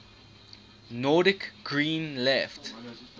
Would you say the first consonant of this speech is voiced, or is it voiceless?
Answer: voiced